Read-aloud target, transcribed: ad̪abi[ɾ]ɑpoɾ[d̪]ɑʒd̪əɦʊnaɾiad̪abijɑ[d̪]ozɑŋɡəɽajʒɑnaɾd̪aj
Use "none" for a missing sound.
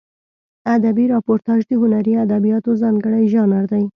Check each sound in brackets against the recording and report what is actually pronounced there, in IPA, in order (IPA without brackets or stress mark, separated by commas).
ɾ, t̪, t̪